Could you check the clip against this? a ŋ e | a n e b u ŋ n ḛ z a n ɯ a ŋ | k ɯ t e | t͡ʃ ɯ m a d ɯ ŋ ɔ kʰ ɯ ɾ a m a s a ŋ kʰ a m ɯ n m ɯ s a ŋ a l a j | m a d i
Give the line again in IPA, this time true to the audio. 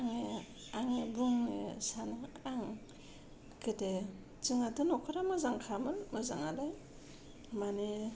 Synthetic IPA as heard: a ŋ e | a ŋ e b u ŋ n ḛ s a n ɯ a ŋ | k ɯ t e | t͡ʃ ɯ ŋ a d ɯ n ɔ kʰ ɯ ɾ a m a z a ŋ kʰ a m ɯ n m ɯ z a ŋ a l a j | m a n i

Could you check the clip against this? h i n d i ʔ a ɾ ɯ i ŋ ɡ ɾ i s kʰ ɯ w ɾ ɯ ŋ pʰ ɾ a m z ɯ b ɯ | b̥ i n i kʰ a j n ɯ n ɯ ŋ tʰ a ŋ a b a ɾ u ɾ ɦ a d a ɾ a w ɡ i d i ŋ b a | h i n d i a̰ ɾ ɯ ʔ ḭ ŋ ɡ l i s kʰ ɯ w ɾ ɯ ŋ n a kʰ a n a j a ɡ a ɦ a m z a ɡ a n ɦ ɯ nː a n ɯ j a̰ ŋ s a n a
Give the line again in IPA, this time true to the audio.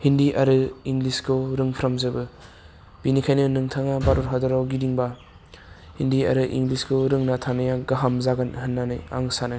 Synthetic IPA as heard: h i n d i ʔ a ɾ ɯ i ŋ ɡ l i s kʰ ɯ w ɾ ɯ ŋ pʰ ɾ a m z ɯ b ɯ | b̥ i n i kʰ a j n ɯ n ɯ ŋ tʰ a ŋ a b a ɾ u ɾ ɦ a d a ɾ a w ɡ i d i ŋ b a | h i n d i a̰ ɾ ɯ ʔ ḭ ŋ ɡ l i s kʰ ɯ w ɾ ɯ ŋ n a tʰ a n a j a ɡ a ɦ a m z a ɡ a n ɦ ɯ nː a n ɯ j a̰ ŋ s a n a

